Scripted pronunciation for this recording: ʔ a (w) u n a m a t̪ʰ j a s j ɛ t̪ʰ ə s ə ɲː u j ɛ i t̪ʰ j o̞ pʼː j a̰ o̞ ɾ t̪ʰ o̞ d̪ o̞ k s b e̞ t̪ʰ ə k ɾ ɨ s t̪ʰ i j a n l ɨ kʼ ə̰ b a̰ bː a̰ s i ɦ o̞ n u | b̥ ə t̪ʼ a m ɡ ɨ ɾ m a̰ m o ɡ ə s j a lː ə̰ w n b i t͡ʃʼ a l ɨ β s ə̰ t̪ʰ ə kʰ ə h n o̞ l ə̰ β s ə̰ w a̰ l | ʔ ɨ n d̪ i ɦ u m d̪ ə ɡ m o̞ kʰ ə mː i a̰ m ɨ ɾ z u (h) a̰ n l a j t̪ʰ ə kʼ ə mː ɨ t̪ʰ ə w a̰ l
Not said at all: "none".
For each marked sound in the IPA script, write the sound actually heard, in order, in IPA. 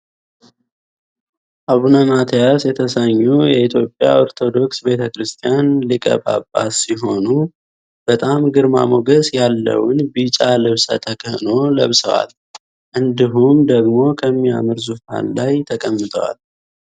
β, f

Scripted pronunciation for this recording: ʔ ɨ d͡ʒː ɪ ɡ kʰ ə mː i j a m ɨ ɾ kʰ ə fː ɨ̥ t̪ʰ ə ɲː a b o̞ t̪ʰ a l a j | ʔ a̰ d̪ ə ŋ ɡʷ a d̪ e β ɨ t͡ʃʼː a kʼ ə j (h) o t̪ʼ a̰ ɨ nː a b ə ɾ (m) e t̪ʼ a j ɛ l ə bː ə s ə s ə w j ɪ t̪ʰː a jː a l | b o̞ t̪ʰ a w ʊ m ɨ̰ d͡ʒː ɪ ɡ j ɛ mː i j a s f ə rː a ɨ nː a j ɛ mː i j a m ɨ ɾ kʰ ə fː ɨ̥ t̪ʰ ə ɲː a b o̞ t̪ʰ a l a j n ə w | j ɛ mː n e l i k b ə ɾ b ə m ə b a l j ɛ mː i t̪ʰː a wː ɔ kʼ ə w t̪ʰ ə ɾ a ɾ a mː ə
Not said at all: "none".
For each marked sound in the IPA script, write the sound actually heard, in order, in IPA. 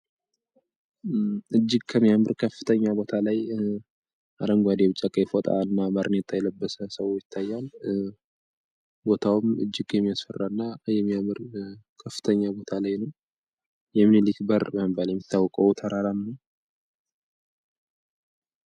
f, n

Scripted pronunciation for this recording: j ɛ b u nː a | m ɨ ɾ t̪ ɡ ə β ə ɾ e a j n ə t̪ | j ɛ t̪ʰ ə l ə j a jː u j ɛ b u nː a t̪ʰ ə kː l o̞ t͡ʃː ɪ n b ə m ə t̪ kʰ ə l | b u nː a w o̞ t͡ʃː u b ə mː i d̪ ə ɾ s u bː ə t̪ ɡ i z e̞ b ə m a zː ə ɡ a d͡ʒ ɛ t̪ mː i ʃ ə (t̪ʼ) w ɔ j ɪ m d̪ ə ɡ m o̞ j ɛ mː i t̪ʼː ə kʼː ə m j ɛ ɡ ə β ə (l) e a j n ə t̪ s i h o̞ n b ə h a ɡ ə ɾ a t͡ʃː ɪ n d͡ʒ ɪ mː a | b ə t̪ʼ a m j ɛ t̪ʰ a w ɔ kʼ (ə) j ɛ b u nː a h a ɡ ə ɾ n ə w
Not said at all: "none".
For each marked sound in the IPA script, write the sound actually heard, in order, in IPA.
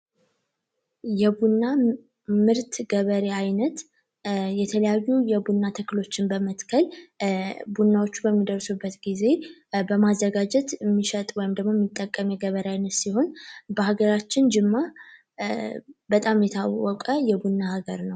t̪ʼ, ɾ, ə

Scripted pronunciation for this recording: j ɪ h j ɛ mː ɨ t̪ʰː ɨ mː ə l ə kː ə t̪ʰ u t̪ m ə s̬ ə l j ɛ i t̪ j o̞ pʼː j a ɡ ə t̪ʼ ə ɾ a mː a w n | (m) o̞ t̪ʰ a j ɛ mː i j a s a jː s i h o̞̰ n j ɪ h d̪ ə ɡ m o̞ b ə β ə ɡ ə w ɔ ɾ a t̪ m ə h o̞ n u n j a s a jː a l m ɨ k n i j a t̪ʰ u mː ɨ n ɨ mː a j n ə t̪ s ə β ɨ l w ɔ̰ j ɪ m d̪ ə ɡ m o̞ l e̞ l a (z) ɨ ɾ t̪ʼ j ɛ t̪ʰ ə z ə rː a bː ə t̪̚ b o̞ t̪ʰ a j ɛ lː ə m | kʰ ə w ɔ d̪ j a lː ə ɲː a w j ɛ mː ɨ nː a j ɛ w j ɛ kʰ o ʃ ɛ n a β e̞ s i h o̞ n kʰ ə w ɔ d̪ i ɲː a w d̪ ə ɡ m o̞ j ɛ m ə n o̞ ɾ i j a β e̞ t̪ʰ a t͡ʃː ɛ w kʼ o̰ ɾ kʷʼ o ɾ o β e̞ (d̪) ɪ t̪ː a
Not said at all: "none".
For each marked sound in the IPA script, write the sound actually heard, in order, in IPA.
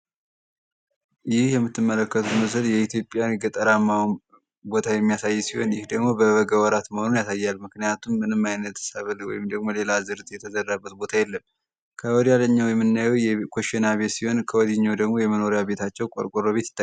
b, z, t̪

